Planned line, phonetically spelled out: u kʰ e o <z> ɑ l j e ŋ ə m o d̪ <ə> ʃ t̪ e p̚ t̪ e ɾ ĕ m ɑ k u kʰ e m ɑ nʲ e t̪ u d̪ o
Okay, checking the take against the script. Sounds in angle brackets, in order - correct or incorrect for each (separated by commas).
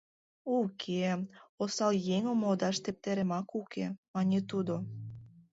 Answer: incorrect, incorrect